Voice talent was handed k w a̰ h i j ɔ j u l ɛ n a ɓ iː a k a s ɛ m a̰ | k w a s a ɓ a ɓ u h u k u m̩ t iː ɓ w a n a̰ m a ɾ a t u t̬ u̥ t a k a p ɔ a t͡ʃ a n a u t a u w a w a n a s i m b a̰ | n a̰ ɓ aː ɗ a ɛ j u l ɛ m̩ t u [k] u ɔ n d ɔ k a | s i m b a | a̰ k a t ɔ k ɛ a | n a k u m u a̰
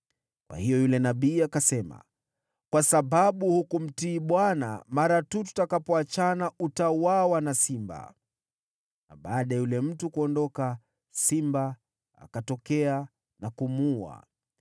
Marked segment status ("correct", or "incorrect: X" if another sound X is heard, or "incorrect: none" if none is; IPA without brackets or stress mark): correct